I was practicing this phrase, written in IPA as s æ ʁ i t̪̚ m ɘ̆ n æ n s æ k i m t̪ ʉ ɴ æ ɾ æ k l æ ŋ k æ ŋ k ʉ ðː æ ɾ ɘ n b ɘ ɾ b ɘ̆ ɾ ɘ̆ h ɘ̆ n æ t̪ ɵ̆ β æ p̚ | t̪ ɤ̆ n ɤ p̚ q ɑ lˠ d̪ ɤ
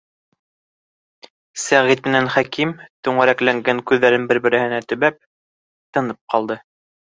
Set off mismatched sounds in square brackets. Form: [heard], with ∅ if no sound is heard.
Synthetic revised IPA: s æ ʁ i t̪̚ m ɘ̆ n æ n [χ] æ k i m t̪ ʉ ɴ æ ɾ æ k l æ ŋ [ɡ] æ ŋ k ʉ ðː æ ɾ ɘ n b ɘ ɾ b ɘ̆ ɾ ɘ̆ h ɘ̆ n æ t̪ ɵ̆ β æ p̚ | t̪ ɤ̆ n ɤ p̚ q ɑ lˠ d̪ ɤ